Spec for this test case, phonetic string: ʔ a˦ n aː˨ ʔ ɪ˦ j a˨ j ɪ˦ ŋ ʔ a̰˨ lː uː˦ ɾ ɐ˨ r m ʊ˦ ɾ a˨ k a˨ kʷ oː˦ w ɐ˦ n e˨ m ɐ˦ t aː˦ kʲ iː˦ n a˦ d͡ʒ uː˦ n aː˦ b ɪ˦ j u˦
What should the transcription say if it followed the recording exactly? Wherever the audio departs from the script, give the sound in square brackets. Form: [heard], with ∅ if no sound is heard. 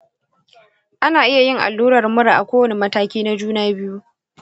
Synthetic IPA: ʔ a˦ n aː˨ ʔ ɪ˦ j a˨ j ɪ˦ ŋ ʔ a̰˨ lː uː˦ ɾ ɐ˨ r m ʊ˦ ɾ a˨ [ʔ] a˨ kʷ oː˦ w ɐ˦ n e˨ m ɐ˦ t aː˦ kʲ iː˦ n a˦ d͡ʒ uː˦ n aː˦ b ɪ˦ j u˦